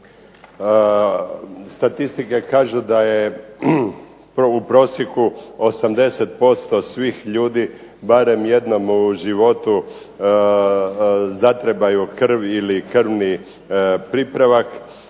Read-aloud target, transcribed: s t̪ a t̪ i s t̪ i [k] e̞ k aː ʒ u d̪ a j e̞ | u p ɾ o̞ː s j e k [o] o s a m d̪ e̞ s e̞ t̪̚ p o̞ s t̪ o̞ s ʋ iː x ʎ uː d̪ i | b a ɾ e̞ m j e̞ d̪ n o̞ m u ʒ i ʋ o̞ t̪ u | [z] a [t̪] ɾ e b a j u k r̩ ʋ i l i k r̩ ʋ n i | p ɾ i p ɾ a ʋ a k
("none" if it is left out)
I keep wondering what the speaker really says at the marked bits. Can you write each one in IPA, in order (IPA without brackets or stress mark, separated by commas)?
k, u, z, t̪